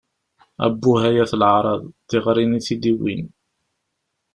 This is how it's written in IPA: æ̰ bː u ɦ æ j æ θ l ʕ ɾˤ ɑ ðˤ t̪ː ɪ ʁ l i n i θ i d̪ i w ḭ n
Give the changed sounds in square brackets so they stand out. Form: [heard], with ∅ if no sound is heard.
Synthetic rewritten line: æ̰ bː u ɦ æ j æ θ l ʕ ɾˤ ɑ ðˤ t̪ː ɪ ʁ [ɾ] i n i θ i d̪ i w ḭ n

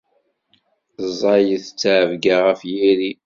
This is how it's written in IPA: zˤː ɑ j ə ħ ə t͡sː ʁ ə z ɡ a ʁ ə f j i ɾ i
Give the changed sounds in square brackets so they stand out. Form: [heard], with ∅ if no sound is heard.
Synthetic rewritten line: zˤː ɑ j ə [θ] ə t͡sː [ʕ] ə [v] ɡ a ʁ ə f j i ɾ i

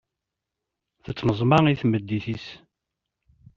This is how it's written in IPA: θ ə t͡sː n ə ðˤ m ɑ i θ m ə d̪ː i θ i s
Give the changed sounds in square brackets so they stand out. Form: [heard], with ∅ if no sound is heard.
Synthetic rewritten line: θ ə t͡sː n ə [zˤ] m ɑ i θ m ə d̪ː i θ i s

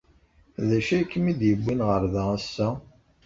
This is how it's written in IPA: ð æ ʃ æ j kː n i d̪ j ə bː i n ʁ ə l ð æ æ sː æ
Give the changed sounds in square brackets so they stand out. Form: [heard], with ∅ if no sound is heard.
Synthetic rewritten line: ð æ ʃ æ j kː [m] i d̪ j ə bː i n ʁ ə [ɾ] ð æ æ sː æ

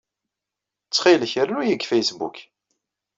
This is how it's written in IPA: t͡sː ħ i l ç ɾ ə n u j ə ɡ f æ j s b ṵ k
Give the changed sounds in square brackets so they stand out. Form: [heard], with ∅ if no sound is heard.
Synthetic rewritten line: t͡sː [χ] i l ç ɾ ə n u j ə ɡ f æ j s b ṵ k

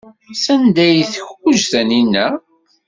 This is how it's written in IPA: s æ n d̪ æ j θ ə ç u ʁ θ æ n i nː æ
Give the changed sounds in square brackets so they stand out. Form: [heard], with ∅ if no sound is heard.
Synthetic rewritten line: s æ n d̪ æ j θ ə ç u [ʒ] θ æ n i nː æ

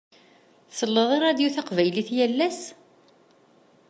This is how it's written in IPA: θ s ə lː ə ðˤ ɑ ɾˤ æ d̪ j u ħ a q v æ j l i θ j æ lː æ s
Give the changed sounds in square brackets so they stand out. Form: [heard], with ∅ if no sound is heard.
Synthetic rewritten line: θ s ə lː ə ðˤ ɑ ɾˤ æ d̪ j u [θ] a q v æ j l i θ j æ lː æ s

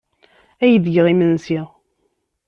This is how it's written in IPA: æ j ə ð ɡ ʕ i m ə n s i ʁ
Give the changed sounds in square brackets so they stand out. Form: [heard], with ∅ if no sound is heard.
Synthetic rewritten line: æ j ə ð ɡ [ʁ] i m ə n s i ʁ

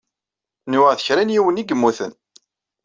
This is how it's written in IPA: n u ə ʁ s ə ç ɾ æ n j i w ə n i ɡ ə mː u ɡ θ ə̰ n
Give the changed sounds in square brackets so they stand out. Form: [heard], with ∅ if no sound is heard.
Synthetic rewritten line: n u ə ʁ [θ] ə ç ɾ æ n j i w ə n i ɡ ə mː u [∅] θ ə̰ n

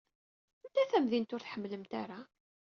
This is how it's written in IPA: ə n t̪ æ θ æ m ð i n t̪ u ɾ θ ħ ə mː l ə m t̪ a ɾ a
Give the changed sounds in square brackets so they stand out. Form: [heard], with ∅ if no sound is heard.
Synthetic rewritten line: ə n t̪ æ θ æ m ð i n t̪ [ʊ] ɾ θ ħ ə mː l ə m t̪ a ɾ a

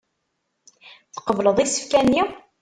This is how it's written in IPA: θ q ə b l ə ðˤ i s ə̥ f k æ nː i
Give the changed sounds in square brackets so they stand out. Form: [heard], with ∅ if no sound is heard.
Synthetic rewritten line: θ q ə [v] l ə ðˤ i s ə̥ f k æ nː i

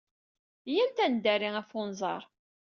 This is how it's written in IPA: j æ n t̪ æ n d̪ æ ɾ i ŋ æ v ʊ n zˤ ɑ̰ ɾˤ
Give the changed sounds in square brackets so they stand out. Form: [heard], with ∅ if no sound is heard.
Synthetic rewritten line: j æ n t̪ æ n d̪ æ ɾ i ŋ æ [f] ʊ n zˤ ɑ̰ ɾˤ

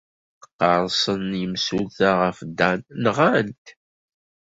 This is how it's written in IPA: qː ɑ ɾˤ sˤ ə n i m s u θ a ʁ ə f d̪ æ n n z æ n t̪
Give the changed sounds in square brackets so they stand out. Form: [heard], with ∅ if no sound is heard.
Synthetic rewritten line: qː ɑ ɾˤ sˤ ə n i m s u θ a ʁ ə f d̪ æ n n [ʁ] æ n t̪

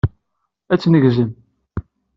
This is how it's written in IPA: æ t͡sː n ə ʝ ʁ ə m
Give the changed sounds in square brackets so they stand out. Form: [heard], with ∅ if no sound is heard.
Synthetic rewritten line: æ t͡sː n ə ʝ [z] ə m

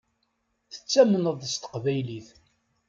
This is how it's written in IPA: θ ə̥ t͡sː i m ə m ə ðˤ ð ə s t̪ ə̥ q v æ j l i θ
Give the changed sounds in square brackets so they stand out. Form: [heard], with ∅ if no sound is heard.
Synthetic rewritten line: θ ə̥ t͡sː [æ] m ə [n] ə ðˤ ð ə s t̪ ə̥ q v æ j l i θ

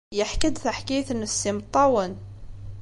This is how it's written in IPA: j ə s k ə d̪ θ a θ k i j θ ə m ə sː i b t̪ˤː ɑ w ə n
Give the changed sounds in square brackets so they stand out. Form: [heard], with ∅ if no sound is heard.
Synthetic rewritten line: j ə [ħ] k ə d̪ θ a [ħ] k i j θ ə [n] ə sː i [m] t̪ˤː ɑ w ə n

